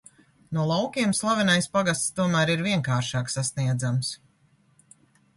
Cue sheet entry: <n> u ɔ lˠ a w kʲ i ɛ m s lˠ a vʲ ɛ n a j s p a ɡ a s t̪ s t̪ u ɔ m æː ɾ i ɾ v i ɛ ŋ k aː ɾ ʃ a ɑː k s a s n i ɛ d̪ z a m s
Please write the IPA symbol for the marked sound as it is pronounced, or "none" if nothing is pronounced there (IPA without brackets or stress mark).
n